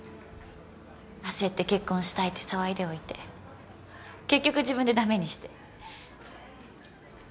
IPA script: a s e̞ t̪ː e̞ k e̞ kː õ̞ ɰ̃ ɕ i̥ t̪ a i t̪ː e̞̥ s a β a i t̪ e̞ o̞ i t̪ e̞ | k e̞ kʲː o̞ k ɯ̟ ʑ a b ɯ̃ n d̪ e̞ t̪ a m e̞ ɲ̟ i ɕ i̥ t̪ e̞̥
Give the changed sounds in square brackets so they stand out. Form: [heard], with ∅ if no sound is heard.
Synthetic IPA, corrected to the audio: a s e̞ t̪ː e̞ k e̞ kː õ̞ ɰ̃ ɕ i̥ t̪ a i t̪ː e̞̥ s a β a i [d̪] e̞ o̞ i t̪ e̞ | k e̞ kʲː o̞ k ɯ̟ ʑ [i] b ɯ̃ n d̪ e̞ [d̪] a m e̞ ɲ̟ i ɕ i̥ t̪ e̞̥